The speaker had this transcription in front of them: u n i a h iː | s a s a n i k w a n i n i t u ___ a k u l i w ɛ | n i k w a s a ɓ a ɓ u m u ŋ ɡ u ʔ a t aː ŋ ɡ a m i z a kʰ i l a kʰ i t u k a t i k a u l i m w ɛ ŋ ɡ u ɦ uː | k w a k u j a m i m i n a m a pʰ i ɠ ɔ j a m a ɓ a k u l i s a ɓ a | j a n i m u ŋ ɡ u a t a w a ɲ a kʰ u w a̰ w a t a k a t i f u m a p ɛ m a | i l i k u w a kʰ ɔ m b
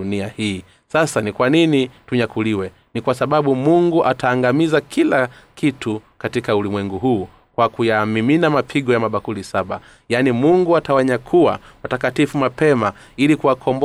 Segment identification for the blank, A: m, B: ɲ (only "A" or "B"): B